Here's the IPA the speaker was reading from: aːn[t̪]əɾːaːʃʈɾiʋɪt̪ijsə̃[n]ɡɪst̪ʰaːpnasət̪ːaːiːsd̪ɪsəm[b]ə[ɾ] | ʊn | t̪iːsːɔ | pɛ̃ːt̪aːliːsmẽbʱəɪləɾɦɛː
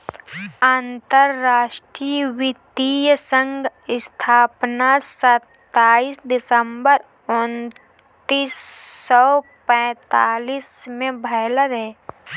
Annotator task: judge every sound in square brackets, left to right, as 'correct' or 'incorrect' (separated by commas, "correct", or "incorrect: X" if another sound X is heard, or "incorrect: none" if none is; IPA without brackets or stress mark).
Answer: correct, incorrect: ŋ, correct, correct